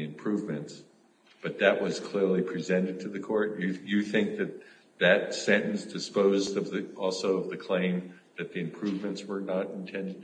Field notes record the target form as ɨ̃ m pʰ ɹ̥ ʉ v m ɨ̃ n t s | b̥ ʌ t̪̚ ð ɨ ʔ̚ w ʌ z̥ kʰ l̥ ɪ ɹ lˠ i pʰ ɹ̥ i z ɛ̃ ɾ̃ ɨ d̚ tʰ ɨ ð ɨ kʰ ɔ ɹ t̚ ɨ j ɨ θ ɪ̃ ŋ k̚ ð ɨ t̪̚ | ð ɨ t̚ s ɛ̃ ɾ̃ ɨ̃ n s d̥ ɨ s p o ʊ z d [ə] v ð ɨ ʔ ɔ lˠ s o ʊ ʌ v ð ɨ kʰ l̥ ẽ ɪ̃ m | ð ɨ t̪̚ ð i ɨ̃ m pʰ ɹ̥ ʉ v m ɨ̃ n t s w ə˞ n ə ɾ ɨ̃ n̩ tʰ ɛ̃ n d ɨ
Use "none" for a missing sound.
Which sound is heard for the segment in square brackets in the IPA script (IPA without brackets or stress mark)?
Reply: ʌ